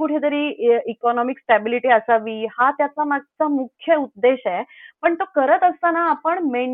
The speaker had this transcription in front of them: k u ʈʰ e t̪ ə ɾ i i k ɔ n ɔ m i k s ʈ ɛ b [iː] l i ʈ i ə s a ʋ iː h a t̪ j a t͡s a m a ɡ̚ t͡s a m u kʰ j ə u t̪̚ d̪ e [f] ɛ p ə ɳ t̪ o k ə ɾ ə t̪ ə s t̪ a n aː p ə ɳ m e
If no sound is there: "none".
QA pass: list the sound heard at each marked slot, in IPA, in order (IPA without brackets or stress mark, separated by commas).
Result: i, ɕ